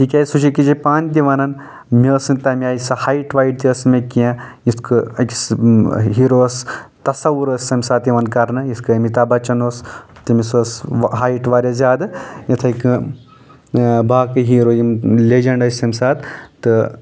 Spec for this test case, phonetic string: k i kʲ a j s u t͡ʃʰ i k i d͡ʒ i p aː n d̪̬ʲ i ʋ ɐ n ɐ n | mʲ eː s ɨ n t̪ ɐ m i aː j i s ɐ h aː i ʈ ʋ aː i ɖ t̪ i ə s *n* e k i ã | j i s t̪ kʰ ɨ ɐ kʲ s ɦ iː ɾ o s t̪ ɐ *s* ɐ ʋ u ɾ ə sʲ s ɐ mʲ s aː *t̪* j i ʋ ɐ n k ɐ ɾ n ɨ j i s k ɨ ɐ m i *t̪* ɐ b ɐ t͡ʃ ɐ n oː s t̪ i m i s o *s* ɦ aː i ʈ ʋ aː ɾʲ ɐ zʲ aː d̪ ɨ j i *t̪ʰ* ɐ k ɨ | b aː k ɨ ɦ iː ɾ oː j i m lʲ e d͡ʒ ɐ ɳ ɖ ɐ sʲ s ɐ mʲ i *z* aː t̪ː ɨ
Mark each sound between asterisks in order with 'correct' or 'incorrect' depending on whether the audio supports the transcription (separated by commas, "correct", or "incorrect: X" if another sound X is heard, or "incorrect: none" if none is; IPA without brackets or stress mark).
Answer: incorrect: m, correct, correct, correct, correct, correct, incorrect: s